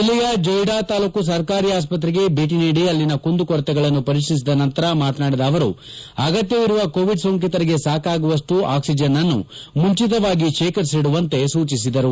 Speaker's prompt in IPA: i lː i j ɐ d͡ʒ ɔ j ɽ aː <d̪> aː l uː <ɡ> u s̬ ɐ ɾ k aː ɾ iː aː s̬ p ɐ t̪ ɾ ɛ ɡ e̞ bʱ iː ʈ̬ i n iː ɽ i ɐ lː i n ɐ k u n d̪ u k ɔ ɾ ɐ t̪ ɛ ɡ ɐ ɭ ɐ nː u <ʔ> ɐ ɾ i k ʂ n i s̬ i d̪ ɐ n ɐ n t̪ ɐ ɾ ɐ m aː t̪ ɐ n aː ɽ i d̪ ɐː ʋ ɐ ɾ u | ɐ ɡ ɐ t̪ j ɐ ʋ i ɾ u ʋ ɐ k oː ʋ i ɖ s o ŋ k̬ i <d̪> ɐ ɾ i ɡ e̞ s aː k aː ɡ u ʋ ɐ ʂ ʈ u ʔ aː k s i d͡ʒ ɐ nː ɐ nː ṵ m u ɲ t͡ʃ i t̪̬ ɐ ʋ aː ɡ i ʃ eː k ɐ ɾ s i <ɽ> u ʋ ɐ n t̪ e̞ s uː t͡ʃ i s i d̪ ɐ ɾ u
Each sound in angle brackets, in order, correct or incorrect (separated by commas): incorrect, incorrect, incorrect, incorrect, correct